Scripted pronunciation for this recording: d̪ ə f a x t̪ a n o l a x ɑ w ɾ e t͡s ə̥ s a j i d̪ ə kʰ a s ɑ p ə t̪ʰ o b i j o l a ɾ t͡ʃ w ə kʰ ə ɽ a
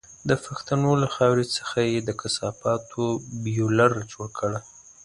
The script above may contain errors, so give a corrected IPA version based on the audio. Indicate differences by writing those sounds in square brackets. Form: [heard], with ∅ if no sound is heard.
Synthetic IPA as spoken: d̪ ə f a x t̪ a n o l a x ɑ w ɾ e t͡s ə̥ [x] a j [e] d̪ ə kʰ a s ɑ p [ɑ] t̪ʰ o b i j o l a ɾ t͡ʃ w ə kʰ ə ɽ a

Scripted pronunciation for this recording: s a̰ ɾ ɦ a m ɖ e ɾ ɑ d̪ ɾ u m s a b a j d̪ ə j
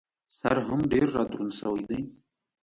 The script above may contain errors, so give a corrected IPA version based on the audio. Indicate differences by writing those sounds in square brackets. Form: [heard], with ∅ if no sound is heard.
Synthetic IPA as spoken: s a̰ ɾ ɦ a m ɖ e [ɾː] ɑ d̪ ɾ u [n] s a [w] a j d̪ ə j

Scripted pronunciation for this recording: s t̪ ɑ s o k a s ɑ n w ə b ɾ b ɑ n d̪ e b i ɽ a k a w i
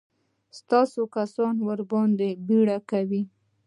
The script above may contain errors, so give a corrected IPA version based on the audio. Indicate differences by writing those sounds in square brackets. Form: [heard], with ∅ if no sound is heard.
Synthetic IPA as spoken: s t̪ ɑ s o k a s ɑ n w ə [∅] ɾ b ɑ n d̪ e b i ɽ a k a w i

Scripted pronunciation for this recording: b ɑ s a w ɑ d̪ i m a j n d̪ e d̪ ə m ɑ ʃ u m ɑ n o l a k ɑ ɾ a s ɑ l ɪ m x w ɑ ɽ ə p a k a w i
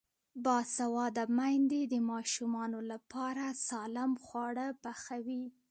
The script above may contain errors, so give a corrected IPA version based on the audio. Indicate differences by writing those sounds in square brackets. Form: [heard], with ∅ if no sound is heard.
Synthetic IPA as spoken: b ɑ s a w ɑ d̪ [a] m a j n d̪ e d̪ ə m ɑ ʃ u m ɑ n o l a [p] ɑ ɾ a s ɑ l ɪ m x w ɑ ɽ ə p a [x] a w i

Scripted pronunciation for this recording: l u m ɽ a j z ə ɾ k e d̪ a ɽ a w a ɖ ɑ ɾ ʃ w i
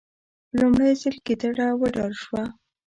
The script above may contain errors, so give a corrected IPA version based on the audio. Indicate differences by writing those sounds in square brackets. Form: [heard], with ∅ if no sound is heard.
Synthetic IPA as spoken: l u m ɽ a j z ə [l] k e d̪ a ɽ a w [ə] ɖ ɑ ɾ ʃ w [a]

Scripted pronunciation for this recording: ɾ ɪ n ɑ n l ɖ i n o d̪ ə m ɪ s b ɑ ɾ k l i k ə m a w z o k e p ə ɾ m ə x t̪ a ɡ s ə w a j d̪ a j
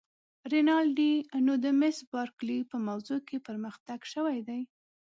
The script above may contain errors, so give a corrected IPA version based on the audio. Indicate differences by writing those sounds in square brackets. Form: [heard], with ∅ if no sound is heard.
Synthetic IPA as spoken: ɾ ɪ n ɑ [∅] l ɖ i n o d̪ ə m ɪ s b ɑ ɾ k l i [p] ə m a w z o k e p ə ɾ m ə x t̪ a ɡ [ʃ] ə w a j d̪ a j

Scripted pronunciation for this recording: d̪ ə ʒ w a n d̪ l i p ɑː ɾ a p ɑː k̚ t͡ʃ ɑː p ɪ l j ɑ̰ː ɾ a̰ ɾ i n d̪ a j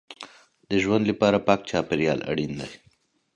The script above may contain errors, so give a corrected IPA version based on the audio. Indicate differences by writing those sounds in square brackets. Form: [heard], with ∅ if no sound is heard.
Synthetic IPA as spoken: d̪ ə ʒ w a n d̪ l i p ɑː ɾ a p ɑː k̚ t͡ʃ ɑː p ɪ [ɾ] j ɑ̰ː [l] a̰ [ɽ] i n d̪ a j

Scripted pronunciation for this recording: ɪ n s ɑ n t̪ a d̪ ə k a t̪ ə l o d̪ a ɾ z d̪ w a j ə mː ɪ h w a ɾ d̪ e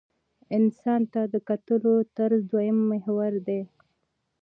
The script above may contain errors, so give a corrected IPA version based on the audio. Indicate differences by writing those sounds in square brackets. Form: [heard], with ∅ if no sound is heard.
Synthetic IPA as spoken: ɪ n s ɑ n t̪ a d̪ ə k a t̪ ə l o [t̪] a ɾ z d̪ w a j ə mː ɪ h w a ɾ d̪ e

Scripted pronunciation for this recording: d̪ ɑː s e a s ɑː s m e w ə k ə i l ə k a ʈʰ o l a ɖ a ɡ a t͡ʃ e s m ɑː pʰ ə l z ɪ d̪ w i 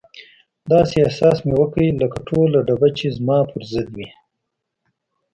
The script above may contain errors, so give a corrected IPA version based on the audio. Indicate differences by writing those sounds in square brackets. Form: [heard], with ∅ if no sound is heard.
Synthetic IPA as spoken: d̪ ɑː s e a s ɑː s m e w ə k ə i l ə k a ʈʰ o l a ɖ a [b] a t͡ʃ e [z] m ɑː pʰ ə [ɾ] z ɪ d̪ w i

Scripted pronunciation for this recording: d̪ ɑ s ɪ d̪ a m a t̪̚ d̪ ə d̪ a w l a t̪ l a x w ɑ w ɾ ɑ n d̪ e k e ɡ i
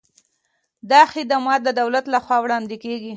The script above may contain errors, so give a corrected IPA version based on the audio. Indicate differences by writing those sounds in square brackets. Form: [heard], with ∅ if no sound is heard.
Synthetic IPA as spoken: d̪ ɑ [x] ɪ d̪ a m [ɑ] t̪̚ d̪ ə d̪ a w l a t̪ l a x w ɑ w [ɽ] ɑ n d̪ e k e ɡ i

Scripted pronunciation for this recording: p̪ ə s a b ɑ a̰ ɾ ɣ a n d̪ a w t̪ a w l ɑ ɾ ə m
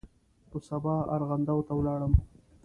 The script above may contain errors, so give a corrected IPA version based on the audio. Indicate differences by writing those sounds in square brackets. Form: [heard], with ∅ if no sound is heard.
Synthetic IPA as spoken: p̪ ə s a b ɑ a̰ ɾ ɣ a n d̪ a w t̪ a w l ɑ [ɽ] ə m

